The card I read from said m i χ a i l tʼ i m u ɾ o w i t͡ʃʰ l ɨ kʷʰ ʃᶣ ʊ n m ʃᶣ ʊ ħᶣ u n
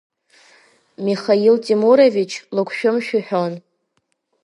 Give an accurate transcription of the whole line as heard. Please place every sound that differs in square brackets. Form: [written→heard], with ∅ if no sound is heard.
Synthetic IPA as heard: m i χ a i l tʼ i m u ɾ o [w→v] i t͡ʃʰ l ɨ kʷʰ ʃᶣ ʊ [n→∅] m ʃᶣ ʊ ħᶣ [u→o] n